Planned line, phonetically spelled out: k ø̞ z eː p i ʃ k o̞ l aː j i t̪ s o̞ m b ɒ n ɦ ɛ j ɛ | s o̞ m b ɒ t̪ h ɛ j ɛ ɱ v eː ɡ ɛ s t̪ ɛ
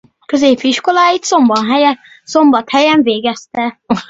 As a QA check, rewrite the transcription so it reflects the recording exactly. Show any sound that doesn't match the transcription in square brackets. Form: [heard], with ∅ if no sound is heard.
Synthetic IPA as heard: k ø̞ z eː p i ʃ k o̞ l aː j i t̪ s o̞ m b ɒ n ɦ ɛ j ɛ | s o̞ m b ɒ t̪ h ɛ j ɛ ɱ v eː ɡ ɛ s t̪ ɛ